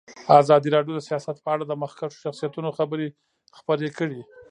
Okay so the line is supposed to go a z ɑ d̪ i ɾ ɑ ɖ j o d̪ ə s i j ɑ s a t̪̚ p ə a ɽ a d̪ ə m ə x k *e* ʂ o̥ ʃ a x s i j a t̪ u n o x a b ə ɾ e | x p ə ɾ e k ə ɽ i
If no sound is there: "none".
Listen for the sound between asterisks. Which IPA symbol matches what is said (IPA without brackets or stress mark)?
a